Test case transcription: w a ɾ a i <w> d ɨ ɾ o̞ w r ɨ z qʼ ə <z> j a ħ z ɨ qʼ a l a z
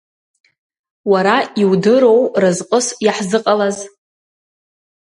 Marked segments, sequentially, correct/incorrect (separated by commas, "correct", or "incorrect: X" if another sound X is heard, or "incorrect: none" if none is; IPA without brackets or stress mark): correct, incorrect: s